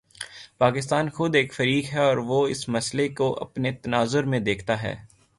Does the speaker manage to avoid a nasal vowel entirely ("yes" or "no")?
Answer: no